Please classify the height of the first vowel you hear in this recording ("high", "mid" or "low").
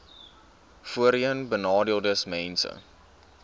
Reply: high